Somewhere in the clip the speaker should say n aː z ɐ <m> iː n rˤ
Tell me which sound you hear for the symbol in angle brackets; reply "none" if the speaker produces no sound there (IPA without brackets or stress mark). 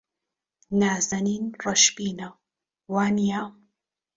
n